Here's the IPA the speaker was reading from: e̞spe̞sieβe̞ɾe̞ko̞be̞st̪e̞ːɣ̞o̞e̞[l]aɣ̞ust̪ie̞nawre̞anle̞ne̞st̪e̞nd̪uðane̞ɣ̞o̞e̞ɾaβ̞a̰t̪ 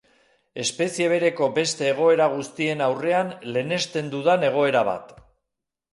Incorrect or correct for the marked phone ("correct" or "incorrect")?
incorrect